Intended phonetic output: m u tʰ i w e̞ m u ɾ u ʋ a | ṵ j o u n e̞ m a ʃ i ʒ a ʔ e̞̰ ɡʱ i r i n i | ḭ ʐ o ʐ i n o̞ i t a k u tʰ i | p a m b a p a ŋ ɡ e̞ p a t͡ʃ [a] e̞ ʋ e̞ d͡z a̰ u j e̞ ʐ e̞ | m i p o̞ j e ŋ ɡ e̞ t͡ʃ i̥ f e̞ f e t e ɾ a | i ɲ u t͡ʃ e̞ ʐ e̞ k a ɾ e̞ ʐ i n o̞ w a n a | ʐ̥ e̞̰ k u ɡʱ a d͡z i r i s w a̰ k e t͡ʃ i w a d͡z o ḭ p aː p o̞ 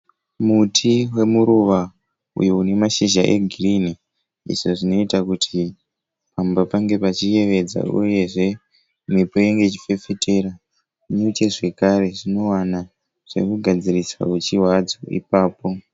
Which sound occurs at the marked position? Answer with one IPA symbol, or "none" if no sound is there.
i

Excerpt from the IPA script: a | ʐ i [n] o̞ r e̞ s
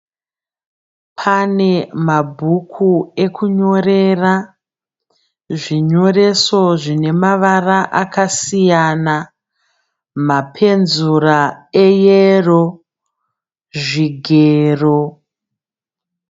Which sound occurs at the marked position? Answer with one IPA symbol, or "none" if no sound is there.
ɲ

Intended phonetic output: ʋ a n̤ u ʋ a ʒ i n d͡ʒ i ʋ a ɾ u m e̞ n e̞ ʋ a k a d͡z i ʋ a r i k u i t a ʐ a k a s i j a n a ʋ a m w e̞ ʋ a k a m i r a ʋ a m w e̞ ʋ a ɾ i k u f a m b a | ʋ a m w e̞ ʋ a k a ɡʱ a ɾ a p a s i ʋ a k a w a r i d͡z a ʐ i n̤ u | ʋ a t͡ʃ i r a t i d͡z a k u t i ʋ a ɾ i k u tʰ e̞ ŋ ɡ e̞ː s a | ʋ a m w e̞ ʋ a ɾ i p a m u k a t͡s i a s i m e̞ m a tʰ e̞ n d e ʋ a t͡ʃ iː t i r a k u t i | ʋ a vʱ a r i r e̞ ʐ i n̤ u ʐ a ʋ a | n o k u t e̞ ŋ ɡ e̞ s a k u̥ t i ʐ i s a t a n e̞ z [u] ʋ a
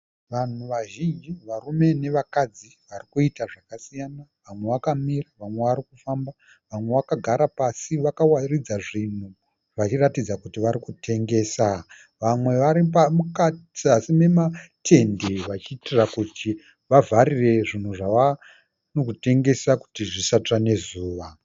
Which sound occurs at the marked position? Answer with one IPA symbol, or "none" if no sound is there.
uː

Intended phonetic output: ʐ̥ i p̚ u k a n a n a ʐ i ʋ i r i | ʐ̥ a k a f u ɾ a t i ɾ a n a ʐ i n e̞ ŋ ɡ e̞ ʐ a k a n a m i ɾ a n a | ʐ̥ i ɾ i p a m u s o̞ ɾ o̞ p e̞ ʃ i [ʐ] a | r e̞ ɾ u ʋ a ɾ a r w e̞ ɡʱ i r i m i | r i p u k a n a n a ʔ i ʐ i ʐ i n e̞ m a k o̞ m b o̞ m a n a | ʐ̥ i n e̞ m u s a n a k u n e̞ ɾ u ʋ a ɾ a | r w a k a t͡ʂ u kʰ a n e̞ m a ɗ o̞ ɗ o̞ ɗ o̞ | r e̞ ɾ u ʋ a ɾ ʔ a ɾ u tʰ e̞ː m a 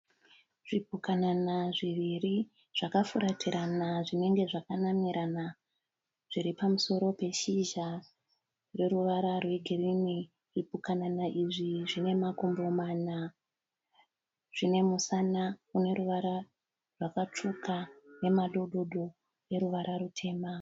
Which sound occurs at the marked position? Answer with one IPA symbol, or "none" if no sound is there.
ʒ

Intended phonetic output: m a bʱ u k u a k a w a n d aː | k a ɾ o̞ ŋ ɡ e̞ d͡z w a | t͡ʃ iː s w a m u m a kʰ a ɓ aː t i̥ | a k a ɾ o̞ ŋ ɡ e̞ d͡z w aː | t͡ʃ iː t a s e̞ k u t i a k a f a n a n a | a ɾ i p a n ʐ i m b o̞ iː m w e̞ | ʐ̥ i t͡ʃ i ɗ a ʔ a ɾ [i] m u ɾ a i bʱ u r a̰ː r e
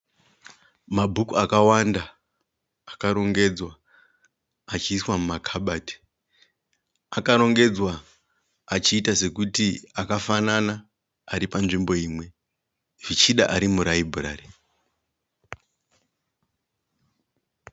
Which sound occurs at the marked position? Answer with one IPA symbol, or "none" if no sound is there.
i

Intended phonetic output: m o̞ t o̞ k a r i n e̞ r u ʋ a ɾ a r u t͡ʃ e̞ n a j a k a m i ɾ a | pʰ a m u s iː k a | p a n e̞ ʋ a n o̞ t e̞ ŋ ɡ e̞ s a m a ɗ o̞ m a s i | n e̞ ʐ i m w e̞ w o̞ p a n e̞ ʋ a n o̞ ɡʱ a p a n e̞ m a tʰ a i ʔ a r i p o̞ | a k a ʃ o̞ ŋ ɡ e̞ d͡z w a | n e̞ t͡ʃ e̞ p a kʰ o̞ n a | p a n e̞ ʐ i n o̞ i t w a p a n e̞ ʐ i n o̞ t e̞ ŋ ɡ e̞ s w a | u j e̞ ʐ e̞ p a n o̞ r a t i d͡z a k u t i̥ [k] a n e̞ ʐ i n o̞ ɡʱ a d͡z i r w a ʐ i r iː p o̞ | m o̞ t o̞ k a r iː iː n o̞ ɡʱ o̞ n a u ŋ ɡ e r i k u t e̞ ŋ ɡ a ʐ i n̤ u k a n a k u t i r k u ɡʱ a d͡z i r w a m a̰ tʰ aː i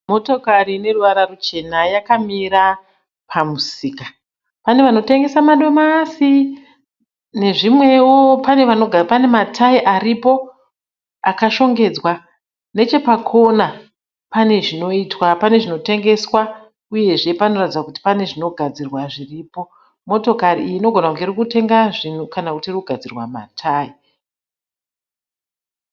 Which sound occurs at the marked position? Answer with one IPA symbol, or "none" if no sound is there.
p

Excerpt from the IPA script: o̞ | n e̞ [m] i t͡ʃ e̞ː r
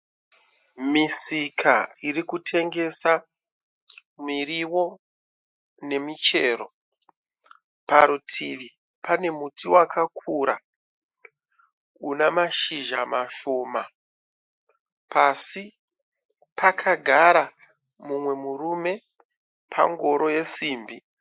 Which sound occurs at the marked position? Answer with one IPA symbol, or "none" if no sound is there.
m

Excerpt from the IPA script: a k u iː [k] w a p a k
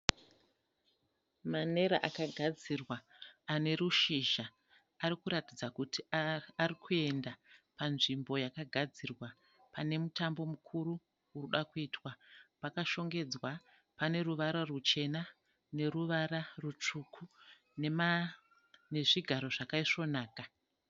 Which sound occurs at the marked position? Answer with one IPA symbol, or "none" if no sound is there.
t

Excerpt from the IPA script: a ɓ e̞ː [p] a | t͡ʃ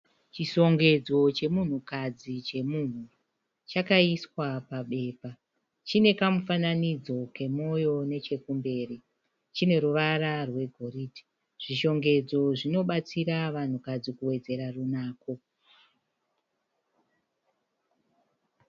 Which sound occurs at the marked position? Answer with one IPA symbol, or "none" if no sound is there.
p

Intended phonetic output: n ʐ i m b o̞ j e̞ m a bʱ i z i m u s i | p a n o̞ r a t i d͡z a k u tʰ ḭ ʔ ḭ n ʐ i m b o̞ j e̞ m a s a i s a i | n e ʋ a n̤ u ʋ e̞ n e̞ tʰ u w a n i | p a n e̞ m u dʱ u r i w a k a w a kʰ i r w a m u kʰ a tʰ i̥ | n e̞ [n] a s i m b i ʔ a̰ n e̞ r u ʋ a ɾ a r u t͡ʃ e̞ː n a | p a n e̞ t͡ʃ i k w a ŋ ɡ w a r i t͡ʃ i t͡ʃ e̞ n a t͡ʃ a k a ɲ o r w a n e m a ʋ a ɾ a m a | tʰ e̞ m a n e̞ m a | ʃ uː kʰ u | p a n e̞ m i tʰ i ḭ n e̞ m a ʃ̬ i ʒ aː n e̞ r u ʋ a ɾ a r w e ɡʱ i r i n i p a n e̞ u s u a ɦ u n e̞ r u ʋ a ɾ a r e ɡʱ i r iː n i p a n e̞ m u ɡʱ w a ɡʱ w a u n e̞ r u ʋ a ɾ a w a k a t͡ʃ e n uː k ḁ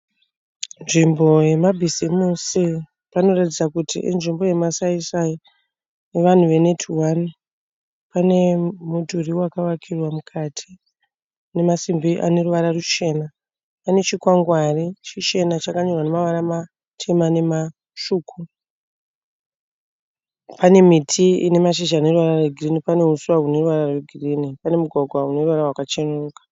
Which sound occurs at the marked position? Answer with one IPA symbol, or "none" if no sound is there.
m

